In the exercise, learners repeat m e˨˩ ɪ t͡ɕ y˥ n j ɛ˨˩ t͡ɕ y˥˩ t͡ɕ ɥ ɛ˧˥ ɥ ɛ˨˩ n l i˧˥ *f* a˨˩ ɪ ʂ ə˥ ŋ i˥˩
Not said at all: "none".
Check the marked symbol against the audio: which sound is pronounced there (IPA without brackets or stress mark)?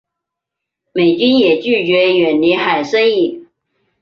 x